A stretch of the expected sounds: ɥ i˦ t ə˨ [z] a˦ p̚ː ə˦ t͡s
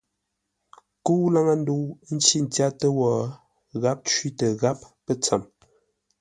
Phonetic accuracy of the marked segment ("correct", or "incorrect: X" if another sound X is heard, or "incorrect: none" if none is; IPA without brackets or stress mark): incorrect: ɣ